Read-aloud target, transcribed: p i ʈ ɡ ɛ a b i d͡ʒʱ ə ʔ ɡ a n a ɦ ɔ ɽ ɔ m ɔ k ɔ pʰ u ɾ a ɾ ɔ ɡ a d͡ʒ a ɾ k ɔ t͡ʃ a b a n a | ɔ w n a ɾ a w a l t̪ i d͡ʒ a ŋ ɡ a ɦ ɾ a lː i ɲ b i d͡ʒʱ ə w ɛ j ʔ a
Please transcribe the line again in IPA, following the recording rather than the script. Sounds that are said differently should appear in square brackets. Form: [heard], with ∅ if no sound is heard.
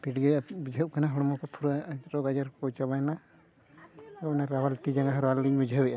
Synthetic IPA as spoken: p i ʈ ɡ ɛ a b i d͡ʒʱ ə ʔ [k] a n a ɦ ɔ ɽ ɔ m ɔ k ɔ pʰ u ɾ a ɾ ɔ ɡ a d͡ʒ a ɾ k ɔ t͡ʃ a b a n a | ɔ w n a ɾ a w a l t̪ i d͡ʒ a ŋ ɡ a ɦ ɾ a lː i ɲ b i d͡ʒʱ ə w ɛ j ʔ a